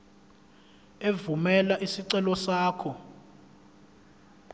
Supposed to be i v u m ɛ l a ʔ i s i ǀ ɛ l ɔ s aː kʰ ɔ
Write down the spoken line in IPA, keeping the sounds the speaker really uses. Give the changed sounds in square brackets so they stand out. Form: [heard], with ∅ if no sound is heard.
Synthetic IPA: [e] v u m ɛ l a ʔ i s i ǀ ɛ l ɔ s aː kʰ ɔ